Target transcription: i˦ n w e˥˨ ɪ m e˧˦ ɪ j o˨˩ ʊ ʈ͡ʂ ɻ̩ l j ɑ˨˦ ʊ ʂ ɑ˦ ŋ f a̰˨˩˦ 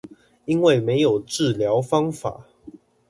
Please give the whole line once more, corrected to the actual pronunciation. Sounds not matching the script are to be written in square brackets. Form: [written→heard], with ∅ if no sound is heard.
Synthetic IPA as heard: i˦ n w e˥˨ ɪ m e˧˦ ɪ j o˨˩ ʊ ʈ͡ʂ ɻ̩ l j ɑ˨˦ ʊ [ʂ→f] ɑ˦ ŋ f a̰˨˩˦